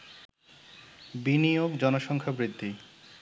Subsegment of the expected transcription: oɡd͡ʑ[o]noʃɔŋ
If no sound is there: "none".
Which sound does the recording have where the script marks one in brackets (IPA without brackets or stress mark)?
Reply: ɔ